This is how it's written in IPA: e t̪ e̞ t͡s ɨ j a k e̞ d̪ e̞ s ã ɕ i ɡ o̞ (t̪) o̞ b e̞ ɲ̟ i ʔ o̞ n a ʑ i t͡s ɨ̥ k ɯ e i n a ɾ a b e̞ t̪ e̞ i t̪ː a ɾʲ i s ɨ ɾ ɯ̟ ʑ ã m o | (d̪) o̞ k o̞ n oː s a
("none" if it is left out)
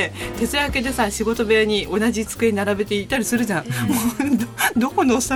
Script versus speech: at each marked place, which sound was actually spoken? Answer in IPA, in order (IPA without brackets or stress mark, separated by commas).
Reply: t̪, d̪